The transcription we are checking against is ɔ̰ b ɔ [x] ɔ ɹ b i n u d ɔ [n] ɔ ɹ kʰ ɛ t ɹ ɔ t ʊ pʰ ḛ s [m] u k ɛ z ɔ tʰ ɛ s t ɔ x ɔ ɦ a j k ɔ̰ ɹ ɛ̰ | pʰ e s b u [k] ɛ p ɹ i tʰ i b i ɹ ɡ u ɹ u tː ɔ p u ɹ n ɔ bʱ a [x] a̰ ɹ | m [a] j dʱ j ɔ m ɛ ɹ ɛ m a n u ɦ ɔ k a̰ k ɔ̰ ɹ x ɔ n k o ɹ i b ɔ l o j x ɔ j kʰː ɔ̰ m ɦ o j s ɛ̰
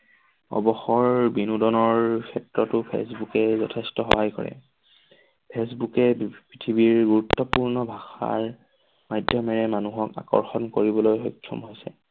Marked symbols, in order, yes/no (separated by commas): yes, yes, no, yes, yes, yes